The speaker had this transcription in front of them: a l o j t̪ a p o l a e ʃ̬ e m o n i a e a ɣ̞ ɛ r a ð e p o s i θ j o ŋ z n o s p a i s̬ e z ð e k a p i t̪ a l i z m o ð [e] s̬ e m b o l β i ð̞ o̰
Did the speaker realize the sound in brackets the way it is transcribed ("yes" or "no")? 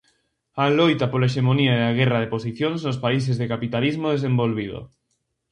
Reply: yes